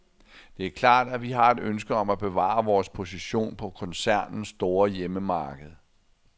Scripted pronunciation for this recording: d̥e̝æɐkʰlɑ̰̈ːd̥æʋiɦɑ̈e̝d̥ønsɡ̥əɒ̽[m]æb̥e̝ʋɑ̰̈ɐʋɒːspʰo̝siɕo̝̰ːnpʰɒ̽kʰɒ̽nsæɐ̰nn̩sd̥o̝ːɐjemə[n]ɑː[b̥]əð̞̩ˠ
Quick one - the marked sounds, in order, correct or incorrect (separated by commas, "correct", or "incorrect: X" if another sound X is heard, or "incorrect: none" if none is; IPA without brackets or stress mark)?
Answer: correct, incorrect: m, incorrect: ɡ̥